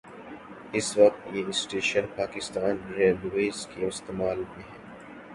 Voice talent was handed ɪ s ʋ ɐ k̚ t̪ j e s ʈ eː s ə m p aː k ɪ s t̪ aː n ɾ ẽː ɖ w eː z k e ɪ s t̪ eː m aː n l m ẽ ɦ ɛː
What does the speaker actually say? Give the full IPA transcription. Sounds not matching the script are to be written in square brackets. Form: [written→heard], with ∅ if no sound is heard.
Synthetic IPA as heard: ɪ s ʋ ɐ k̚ t̪ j e s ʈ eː [s→ʃ] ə [m→n] p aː k ɪ s t̪ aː n ɾ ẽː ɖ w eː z k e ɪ s t̪ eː m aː [n→∅] l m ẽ ɦ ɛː